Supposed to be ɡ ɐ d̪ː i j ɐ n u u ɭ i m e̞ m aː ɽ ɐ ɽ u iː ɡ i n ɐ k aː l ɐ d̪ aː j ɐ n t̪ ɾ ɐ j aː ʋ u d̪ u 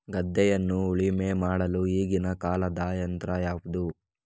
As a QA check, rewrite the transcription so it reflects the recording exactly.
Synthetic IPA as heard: ɡ ɐ d̪ː ɛ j ɐ nː u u ɭ i m e̞ m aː ɽ ɐ l u iː ɡ i n ɐ k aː l ɐ d̪ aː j ɐ n t̪ ɾ ɐ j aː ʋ u d̪ u